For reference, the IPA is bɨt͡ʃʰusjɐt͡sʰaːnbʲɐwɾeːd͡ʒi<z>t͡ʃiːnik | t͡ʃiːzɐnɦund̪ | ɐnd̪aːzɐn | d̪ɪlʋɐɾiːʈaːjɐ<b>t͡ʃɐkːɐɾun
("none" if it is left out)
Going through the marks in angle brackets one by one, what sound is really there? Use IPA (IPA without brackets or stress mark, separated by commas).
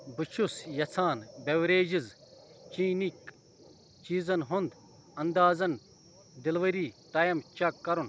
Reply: z, m